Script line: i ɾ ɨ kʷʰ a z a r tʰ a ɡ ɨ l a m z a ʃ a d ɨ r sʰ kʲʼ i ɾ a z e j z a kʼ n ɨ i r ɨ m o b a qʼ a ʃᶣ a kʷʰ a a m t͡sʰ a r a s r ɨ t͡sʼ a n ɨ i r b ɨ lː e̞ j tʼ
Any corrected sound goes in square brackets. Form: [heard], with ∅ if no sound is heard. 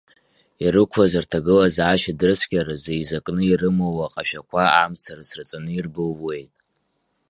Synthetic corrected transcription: i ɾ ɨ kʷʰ a z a r tʰ a ɡ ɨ l a [∅] z a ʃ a d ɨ r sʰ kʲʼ [a] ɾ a z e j z a kʼ n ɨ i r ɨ m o [w] a qʼ a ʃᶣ a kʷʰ a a m t͡sʰ a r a s r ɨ t͡sʼ a n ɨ i r b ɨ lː e̞ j tʼ